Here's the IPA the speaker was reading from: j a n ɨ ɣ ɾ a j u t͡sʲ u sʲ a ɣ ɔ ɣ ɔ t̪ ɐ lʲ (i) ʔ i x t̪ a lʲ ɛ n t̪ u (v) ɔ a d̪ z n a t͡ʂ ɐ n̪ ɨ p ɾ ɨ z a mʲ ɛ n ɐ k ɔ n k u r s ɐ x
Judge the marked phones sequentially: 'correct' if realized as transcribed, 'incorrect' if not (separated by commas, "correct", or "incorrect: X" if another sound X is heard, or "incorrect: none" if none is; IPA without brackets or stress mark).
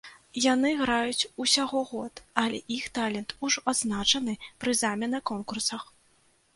incorrect: ɛ, incorrect: ʐ